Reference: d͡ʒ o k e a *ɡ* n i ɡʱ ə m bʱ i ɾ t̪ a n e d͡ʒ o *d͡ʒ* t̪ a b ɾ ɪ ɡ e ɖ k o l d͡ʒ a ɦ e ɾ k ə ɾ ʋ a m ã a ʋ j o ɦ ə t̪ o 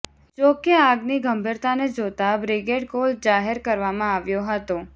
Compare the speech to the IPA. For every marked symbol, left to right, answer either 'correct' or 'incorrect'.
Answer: correct, incorrect

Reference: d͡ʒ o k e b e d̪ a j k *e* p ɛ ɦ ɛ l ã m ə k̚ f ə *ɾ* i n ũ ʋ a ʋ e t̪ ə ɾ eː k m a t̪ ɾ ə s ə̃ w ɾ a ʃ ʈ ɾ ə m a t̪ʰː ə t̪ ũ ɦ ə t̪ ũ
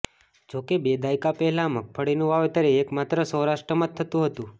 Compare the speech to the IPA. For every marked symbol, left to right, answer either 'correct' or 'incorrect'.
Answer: incorrect, incorrect

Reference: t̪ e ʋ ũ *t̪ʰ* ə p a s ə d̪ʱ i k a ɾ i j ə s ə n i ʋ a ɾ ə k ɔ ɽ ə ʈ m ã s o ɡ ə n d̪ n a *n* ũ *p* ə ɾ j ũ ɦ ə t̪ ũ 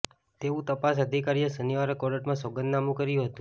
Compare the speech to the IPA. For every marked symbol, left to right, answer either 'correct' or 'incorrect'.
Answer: incorrect, incorrect, incorrect

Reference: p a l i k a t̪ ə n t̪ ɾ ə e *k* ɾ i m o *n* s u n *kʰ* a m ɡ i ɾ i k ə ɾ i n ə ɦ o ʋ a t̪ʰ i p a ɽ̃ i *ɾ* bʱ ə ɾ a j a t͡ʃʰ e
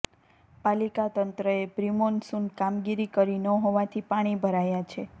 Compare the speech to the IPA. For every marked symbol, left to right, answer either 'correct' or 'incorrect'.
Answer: incorrect, correct, incorrect, incorrect

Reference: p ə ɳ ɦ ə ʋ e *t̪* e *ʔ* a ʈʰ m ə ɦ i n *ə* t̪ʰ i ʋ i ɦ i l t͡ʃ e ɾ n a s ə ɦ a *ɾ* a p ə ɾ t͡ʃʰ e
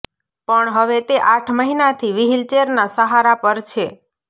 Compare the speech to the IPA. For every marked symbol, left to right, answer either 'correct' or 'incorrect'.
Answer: correct, correct, incorrect, correct

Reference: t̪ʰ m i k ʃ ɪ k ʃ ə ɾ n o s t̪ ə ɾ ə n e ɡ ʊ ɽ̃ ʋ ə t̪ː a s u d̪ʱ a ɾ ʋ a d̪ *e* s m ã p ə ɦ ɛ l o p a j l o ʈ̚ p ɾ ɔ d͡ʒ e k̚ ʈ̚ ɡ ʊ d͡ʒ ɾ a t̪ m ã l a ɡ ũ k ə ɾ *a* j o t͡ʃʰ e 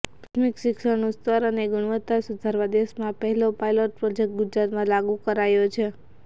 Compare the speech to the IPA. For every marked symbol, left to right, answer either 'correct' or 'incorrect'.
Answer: correct, correct

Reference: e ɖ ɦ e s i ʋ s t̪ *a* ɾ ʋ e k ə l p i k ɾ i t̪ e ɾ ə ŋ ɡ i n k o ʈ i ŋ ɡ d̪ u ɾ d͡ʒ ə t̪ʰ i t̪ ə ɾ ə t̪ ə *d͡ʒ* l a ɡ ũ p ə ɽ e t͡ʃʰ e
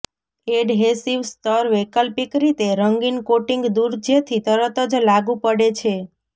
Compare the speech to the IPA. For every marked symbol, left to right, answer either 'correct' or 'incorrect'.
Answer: incorrect, correct

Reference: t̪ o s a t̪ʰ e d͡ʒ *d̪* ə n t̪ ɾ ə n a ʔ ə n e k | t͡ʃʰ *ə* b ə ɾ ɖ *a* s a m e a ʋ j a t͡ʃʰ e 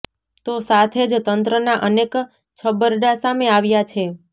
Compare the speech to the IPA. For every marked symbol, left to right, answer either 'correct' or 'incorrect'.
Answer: incorrect, correct, correct

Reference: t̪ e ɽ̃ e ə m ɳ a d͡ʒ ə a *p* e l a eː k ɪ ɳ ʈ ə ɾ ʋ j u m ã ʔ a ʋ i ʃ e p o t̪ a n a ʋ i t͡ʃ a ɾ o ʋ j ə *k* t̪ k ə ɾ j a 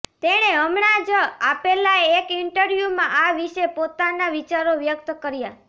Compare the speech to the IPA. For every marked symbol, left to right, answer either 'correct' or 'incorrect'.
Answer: correct, correct

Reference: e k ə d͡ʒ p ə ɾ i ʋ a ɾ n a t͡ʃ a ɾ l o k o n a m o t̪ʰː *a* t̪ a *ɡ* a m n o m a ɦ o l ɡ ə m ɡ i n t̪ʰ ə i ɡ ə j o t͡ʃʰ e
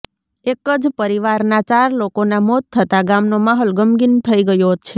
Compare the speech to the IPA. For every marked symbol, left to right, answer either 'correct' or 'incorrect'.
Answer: incorrect, correct

